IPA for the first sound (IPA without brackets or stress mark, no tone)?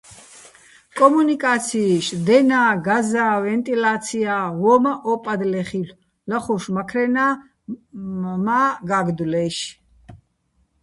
kʼ